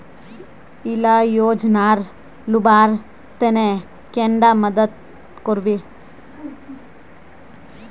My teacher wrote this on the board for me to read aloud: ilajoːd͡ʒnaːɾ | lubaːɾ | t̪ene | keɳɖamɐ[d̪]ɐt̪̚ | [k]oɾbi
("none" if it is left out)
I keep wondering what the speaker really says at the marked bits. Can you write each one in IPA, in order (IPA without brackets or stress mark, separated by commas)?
d̪, k